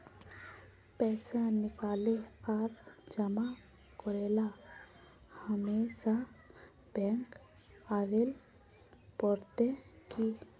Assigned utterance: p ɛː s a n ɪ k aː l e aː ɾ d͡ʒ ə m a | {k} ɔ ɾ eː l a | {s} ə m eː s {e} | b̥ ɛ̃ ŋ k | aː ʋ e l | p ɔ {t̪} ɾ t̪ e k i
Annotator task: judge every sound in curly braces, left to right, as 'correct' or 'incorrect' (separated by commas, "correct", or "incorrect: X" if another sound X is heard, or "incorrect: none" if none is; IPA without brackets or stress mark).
correct, incorrect: h, incorrect: a, incorrect: none